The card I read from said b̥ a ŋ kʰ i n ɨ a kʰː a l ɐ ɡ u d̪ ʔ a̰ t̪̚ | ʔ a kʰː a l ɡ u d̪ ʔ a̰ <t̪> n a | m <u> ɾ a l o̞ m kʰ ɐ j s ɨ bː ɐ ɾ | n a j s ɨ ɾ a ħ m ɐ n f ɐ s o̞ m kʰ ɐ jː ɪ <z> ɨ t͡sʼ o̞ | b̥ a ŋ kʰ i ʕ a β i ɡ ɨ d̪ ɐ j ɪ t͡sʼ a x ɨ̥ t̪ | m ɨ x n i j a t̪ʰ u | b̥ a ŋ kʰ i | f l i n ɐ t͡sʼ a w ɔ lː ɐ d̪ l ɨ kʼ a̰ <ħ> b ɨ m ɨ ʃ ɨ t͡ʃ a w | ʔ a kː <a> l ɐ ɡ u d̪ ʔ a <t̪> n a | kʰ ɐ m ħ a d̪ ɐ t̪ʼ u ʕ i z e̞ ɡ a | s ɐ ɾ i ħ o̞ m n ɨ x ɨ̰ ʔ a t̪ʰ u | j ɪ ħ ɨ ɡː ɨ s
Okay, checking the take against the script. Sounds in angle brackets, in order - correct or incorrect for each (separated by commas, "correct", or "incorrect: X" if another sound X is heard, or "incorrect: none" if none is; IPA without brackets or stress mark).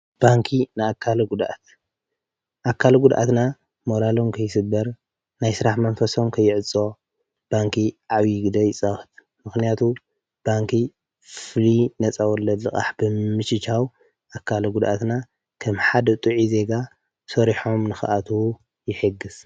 correct, incorrect: o, incorrect: ʕ, correct, correct, correct